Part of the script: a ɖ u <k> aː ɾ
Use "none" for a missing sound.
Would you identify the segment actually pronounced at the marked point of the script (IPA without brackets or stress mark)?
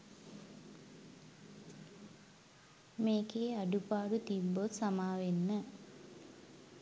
p